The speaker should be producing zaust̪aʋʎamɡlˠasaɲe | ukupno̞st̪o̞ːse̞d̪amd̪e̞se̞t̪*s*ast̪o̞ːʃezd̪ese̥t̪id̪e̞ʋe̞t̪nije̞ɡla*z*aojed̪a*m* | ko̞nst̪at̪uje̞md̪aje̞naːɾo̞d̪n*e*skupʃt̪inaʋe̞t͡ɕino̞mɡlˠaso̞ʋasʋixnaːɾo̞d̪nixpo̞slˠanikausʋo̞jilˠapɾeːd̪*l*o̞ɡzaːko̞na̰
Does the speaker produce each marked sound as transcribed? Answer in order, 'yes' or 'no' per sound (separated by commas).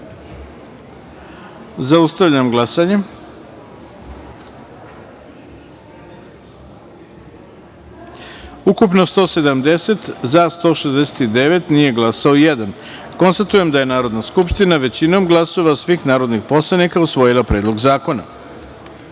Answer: no, no, no, no, yes